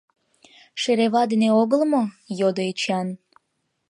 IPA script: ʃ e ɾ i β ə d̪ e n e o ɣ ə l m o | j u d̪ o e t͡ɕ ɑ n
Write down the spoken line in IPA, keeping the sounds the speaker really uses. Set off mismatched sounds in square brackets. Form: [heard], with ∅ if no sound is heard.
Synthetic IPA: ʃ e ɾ [e] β [ɑ] d̪ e n e o ɣ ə l m o | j [o] d̪ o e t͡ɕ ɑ n